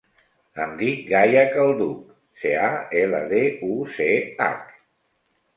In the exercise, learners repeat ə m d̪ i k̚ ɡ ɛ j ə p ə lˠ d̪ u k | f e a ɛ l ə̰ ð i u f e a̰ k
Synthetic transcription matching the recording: ə m d̪ i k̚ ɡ a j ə k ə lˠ d̪ u k | s e a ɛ l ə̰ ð e u s e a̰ k

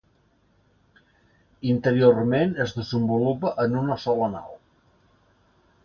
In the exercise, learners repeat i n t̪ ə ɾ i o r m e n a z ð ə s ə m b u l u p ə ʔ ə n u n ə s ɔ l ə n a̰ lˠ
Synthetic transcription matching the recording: i n t̪ ə ɾ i o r m e n ə z ð ə z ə m b u l u p ə ʔ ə n u n ə s ɔ l ə n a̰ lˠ

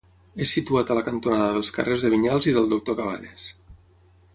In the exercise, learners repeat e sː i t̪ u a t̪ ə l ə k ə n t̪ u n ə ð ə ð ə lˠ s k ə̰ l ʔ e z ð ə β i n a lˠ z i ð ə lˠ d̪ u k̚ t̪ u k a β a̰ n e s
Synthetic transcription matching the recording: e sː i t̪ u a t̪ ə l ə k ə n t̪ u n a ð ə ð ə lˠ s k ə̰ r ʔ e z ð ə β i ɲ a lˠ z i ð ə lˠ d̪ u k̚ t̪ o k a β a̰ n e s

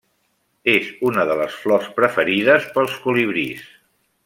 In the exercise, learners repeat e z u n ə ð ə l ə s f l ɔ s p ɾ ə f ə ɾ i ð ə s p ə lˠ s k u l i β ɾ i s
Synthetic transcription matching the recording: e z u n ə ð ə l ə s f l ɔ s p ɾ ə f ə ɾ i ð ə s p ə lˠ s k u l i β ɾ i s

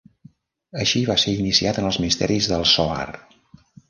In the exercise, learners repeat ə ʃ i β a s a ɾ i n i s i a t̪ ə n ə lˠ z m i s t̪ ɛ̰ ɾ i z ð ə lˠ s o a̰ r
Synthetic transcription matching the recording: ə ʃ i β a s e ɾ i n i s i a t̪ ə n ə lˠ z m i s t̪ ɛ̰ ɾ i z ð ə lˠ s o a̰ r

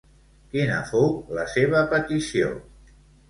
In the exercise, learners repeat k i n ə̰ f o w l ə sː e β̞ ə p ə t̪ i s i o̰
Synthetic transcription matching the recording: k i n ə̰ f o w l ə s e β̞ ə p ə t̪ i s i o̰

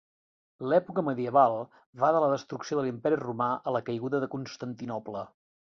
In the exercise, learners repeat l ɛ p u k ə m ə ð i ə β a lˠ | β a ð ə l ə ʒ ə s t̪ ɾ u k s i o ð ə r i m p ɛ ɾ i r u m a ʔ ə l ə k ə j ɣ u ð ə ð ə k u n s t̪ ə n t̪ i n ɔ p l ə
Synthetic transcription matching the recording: l ɛ p u k ə m ə ð i ə β a lˠ | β a ð ə l ə ð ə s t̪ ɾ u k s i o ð ə l i m p ɛ ɾ i r u m a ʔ ə l ə k ə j ɣ u ð ə ð ə k u n s t̪ ə n t̪ i n ɔ p l ə

